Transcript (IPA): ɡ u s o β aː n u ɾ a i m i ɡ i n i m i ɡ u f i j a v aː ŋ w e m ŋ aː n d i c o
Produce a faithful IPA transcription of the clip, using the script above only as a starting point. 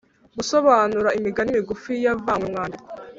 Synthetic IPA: ɡ u s o β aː n u ɾ a i m i ɡ a n i m i ɡ u f i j a v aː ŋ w e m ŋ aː n d i k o